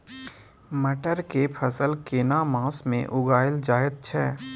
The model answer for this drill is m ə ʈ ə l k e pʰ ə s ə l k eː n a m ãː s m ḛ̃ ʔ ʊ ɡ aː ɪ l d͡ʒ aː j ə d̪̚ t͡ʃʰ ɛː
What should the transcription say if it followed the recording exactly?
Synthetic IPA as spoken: m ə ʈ ə ɾ k e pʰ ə s ə l k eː n a m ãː s m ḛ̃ ʔ ʊ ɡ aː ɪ l d͡ʒ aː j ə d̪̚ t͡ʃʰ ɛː

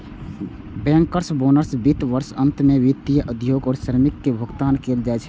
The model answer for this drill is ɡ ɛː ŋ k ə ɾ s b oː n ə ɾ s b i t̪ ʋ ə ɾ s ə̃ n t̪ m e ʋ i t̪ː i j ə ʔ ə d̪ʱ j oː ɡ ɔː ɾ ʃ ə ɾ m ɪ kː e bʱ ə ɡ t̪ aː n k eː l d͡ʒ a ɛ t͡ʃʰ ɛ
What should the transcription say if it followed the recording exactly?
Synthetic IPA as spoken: b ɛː ŋ k ə ɾ s b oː n ə ɾ s b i t̪ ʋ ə ɾ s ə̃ n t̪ m e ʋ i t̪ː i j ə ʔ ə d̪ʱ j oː ɡ ɔː ɾ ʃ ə ɾ m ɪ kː e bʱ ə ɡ t̪ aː n k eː l d͡ʒ a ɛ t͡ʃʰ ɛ

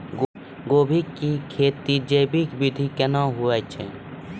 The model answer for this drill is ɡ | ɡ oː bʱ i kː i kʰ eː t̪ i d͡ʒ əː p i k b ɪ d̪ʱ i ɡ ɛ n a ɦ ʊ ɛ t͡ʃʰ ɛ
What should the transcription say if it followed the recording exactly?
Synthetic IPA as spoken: ɡ | ɡ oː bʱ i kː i kʰ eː t̪ i d͡ʒ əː b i k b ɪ d̪ʱ i k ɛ n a ɦ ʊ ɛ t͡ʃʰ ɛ

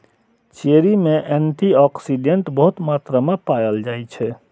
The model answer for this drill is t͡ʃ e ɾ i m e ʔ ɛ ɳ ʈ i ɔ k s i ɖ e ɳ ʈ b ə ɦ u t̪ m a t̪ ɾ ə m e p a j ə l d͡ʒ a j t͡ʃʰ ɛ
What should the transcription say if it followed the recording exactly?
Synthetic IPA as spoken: t͡ʃ e ɾ i m e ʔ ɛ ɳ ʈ i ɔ k s i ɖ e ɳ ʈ b ə ɦ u t̪ m a t̪ ɾ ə m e p a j ə l d͡ʒ a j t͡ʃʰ ɛ

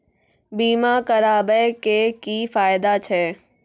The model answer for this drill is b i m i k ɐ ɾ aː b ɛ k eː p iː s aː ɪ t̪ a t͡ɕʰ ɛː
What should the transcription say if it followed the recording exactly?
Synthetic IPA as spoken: b iː m a k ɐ ɾ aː b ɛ k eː k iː f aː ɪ d̪ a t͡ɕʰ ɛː

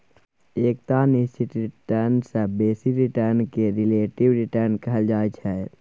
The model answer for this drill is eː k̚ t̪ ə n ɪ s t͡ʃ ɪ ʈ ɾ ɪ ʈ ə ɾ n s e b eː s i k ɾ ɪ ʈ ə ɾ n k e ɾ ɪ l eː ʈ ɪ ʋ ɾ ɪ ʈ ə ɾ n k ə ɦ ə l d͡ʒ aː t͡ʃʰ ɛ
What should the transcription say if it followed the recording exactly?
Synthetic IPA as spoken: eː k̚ t̪ a n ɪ s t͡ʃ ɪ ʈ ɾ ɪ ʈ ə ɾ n s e b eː s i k ɾ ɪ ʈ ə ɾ n k e ɾ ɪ l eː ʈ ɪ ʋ ɾ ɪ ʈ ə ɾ n k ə ɦ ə l d͡ʒ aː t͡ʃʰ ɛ

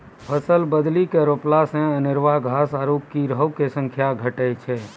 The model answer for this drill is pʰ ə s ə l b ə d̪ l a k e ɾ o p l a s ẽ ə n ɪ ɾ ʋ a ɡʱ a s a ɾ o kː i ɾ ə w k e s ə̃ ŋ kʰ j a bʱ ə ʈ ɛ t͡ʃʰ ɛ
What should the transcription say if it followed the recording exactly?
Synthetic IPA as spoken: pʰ ə s ə l b ə d̪ l i k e ɾ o p l a s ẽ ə n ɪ ɾ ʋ a ɡʱ a s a ɾ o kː i ɾ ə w k e s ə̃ ŋ kʰ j a ɡʱ ə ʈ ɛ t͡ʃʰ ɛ

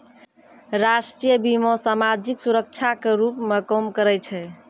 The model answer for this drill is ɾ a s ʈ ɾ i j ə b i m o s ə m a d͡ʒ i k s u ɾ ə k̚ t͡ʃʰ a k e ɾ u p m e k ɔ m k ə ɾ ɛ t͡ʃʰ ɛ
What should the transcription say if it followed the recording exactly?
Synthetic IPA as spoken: ɾ a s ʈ ɾ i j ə b i m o s a m a d͡ʒ i k s u ɾ ə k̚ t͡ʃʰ a k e ɾ u p m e k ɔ m k ə ɾ ɛ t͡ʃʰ ɛ

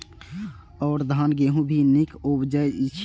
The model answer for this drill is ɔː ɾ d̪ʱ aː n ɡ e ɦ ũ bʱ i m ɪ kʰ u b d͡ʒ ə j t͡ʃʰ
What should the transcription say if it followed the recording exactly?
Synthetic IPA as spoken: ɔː ɾ d̪ʱ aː n ɡ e ɦ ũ bʱ i n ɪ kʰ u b d͡ʒ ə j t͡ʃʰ

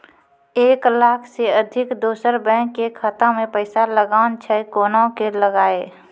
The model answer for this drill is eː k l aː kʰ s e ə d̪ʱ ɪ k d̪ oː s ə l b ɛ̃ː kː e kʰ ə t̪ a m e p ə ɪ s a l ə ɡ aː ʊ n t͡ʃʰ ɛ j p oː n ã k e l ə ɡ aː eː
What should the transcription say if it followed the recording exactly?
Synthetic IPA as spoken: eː k l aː kʰ s e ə d̪ʱ ɪ k d̪ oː s ə ɾ b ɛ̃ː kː e kʰ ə t̪ a m ẽ p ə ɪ s a l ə ɡ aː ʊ n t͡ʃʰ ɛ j k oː n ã k e l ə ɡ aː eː

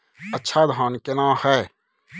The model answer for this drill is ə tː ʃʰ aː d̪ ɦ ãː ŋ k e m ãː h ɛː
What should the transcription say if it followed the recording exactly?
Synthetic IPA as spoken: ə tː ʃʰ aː d̪ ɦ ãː n k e n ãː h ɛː

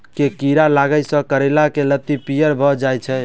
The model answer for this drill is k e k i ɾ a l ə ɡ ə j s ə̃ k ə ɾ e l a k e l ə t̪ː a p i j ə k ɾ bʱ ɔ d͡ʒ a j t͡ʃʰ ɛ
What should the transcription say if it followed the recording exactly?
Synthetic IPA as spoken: k e k i ɾ a l a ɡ ə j s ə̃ k ə ɾ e l a k e l ə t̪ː i p i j ə ɾ bʱ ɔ d͡ʒ a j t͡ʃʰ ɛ

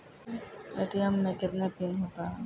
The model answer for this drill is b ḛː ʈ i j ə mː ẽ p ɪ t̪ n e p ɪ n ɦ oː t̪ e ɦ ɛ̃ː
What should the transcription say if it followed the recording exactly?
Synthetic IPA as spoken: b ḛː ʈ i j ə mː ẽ k ɪ t̪ n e p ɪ n ɦ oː t̪ a ɦ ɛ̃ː

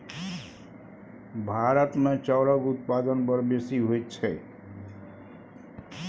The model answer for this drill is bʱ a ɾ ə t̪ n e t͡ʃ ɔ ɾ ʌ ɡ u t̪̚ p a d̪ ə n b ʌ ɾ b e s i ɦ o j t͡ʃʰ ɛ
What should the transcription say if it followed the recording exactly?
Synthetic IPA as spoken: bʱ a ɾ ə t̪ m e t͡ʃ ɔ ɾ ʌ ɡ u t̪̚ p a d̪ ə n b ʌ ɾ b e s i ɦ o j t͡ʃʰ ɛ

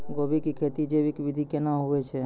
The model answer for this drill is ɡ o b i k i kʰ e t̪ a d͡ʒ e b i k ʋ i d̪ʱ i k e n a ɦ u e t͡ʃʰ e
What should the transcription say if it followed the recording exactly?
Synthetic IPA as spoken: ɡ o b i k i kʰ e t̪ i d͡ʒ e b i k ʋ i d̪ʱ i k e n a ɦ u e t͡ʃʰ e

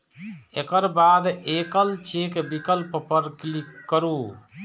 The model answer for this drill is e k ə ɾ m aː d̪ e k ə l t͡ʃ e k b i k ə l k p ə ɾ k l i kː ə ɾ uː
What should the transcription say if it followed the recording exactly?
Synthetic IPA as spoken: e k ə ɾ b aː d̪ e k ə l t͡ʃ e k b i k ə l p p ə ɾ k l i kː ə ɾ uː

